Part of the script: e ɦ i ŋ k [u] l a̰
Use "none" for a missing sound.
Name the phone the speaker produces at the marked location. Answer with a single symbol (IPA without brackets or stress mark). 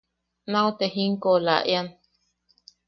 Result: o